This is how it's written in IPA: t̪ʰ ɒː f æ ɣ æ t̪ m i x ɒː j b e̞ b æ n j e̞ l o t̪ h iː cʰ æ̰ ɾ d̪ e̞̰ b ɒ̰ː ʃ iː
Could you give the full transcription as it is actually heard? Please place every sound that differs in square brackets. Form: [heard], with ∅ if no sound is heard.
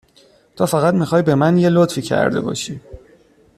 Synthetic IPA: t̪ʰ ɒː f æ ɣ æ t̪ m i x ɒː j b e̞ [m] æ n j e̞ l o t̪ [f] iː cʰ æ̰ ɾ d̪ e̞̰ b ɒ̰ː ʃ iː